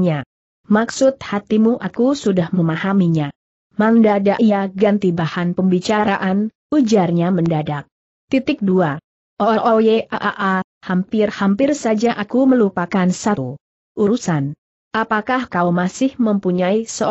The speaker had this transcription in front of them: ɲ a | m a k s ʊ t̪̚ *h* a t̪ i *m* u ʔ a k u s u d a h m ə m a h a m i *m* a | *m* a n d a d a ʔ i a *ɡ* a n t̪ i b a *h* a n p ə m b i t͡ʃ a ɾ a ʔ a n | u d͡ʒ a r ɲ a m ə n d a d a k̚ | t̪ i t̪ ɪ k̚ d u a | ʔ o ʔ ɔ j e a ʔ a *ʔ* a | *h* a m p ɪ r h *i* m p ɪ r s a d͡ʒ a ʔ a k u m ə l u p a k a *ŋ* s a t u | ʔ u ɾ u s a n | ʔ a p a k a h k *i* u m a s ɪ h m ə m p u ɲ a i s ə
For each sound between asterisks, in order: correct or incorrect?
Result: correct, correct, incorrect, correct, correct, correct, correct, correct, incorrect, incorrect, incorrect

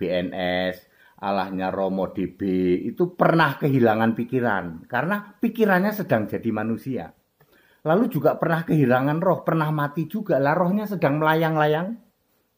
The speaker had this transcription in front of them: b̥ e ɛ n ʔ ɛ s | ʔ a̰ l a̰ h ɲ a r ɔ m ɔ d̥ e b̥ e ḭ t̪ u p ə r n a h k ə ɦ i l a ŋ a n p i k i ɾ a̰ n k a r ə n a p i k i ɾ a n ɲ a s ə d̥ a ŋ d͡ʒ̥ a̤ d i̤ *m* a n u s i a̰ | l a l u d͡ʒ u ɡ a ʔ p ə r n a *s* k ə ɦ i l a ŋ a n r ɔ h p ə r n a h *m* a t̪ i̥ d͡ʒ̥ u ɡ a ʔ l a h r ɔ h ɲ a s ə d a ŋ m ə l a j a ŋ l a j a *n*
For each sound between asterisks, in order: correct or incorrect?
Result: correct, incorrect, correct, incorrect

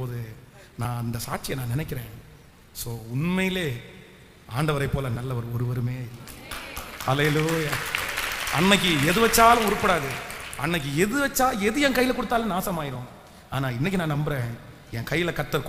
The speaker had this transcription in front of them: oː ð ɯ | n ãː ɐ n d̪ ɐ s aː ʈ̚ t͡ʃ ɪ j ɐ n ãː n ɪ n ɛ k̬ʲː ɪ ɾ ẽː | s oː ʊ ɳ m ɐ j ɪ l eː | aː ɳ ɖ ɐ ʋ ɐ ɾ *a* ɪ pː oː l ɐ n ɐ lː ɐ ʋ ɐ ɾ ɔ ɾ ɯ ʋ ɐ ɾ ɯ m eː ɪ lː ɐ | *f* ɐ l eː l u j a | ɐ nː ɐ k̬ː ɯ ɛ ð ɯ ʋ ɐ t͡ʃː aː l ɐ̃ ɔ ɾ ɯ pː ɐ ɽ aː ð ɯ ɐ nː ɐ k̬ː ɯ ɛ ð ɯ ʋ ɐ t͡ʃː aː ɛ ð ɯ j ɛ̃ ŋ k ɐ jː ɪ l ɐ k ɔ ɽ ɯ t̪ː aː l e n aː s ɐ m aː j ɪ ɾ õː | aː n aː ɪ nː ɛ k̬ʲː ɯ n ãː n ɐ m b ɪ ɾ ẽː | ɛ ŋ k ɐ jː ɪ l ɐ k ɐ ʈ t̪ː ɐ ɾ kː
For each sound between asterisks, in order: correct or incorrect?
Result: incorrect, incorrect

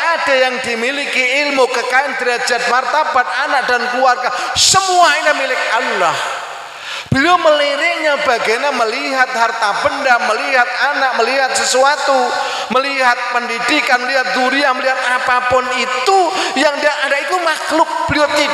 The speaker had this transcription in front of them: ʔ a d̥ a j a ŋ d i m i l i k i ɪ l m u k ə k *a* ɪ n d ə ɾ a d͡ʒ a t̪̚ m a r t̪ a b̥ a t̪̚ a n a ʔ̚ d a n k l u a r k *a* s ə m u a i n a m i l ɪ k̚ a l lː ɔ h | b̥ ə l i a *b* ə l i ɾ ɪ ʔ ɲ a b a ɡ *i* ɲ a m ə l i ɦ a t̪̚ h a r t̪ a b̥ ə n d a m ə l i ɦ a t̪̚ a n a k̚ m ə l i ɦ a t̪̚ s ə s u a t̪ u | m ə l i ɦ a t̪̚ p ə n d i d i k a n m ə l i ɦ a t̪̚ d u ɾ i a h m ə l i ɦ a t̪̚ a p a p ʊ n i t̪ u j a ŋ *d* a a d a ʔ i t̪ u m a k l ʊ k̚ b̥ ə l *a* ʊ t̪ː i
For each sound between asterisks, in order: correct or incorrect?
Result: correct, correct, incorrect, incorrect, correct, incorrect

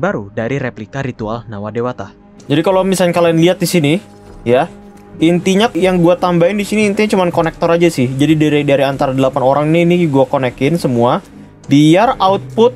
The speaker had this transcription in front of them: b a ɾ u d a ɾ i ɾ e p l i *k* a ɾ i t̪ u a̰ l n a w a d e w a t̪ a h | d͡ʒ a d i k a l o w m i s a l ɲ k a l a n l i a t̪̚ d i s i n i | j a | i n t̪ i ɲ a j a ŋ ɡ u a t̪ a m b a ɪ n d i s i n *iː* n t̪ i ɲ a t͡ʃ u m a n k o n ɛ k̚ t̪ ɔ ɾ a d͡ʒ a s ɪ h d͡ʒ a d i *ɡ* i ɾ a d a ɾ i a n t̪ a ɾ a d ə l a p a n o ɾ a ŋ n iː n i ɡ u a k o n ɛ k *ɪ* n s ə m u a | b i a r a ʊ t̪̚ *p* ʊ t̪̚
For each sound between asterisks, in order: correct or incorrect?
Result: correct, correct, incorrect, correct, correct

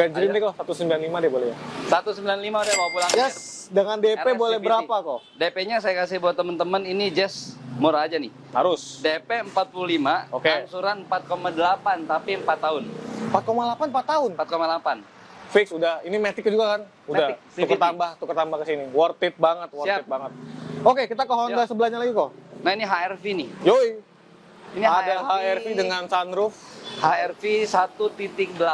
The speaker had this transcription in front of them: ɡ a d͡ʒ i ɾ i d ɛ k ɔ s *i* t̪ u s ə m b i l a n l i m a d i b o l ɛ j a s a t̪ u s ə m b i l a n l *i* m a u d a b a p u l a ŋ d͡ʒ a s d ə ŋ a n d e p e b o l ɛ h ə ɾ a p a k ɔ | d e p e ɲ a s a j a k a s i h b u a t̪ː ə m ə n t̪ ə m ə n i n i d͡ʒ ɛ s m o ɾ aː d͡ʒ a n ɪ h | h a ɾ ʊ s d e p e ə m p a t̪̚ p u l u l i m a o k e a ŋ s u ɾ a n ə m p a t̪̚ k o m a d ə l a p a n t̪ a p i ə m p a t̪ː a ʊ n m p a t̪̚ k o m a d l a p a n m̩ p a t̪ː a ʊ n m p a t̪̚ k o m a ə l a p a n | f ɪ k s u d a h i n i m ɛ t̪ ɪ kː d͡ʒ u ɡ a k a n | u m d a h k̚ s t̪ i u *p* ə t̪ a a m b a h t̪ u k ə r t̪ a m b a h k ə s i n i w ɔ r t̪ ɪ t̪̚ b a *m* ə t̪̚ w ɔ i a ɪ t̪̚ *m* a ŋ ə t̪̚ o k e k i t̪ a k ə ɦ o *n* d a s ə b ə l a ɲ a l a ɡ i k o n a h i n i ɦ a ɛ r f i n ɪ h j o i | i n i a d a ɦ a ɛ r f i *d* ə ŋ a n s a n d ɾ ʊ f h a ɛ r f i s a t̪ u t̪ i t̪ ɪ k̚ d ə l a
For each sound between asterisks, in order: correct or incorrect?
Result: incorrect, correct, incorrect, incorrect, incorrect, correct, correct

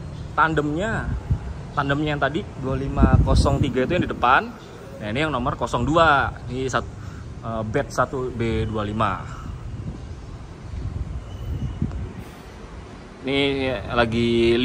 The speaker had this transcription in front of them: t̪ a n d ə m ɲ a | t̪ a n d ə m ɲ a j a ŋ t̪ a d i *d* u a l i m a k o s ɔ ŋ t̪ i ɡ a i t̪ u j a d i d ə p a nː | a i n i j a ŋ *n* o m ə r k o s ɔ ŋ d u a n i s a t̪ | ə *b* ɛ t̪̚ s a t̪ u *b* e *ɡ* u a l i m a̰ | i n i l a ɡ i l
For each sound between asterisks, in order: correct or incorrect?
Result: correct, correct, correct, correct, incorrect

